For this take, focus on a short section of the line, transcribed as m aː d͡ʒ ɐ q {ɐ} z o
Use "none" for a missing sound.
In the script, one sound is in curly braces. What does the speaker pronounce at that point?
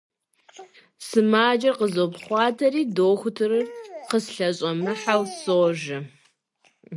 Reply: ə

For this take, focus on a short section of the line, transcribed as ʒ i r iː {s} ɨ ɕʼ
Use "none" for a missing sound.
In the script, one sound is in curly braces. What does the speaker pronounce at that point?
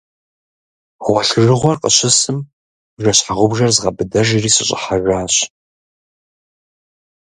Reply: s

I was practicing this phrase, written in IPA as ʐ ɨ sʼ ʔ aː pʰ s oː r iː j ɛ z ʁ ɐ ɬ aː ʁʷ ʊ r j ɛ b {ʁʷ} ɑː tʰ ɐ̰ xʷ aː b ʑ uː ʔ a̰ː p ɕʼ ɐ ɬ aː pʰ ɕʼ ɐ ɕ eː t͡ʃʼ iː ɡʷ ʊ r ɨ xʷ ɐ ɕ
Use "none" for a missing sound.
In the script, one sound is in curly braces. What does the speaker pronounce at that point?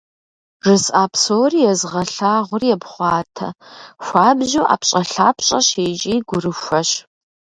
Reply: χʷ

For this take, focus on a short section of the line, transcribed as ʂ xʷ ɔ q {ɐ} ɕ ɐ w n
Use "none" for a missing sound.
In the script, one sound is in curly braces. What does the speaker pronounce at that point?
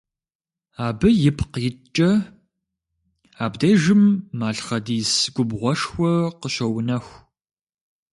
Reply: ə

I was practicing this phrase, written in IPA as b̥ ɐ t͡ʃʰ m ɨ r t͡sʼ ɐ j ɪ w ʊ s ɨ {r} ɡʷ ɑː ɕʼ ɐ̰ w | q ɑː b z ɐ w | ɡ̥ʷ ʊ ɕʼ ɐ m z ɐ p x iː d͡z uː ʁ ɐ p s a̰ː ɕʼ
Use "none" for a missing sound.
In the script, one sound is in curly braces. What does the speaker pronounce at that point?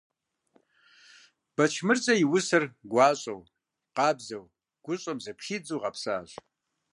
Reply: r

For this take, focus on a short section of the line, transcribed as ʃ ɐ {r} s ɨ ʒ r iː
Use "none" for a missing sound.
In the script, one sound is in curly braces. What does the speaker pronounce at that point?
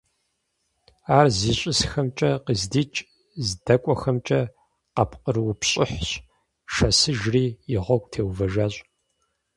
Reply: none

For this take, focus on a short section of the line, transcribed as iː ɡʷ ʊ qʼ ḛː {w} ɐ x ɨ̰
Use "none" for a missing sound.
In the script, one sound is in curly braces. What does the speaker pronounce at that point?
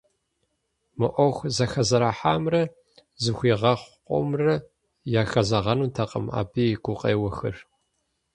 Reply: w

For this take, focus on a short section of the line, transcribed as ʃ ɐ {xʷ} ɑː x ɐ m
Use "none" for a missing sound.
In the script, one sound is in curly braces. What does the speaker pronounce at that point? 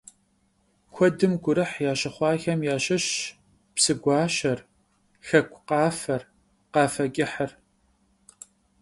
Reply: χʷ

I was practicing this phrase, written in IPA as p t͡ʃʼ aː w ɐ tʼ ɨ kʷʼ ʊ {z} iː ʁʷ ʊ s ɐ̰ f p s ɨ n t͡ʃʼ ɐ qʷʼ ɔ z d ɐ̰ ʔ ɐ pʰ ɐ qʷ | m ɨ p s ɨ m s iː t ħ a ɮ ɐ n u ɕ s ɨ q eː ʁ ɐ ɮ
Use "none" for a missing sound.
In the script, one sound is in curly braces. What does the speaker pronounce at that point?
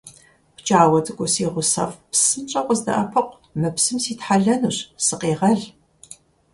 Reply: s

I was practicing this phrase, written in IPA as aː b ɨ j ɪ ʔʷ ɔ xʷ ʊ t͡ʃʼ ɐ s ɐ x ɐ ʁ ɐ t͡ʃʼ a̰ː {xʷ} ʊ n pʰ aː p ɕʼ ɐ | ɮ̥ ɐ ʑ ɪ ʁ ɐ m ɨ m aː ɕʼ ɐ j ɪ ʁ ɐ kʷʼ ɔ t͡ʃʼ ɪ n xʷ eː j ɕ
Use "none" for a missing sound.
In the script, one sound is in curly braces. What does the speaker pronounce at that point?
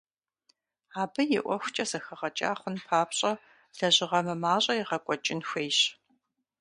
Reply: χʷ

